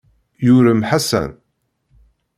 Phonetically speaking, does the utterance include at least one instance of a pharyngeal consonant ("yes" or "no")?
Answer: yes